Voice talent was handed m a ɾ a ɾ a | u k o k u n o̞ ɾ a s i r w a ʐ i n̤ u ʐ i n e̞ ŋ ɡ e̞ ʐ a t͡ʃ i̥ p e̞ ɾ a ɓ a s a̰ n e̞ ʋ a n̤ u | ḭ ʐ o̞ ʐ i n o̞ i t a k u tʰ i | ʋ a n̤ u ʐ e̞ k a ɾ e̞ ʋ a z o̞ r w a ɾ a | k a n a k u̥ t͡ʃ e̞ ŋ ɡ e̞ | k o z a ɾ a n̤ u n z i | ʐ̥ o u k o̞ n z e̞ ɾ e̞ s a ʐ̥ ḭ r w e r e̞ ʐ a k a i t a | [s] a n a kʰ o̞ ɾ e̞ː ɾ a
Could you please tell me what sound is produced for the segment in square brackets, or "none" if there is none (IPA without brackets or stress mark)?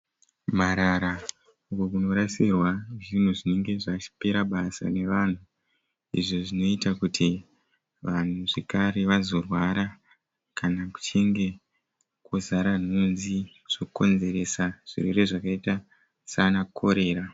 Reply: s